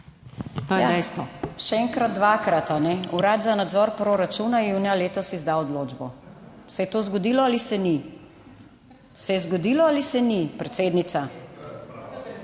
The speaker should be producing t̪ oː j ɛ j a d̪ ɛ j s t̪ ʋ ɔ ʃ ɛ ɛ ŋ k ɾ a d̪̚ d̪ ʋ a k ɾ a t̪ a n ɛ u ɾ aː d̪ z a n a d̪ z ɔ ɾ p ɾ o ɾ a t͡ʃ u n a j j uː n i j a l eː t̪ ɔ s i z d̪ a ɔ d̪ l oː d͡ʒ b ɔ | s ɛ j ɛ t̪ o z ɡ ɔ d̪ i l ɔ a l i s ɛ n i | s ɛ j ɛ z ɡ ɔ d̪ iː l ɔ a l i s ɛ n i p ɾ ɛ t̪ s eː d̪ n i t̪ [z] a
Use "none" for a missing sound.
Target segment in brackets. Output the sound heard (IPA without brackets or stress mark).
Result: s